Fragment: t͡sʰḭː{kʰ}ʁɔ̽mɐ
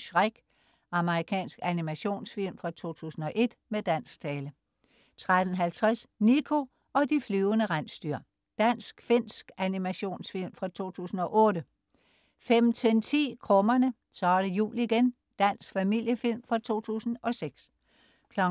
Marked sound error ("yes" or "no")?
no